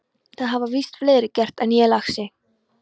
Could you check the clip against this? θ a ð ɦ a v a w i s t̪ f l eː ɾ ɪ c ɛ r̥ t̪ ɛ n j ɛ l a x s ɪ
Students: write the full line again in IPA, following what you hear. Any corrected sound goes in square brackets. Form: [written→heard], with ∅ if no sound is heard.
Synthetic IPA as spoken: θ a ð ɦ a v a [w→v] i s t̪ f l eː ɾ ɪ c ɛ r̥ t̪ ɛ n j ɛ l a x s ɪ